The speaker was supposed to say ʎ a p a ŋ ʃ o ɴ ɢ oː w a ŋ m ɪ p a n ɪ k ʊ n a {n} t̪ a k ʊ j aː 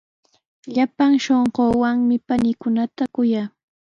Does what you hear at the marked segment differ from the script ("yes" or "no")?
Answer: yes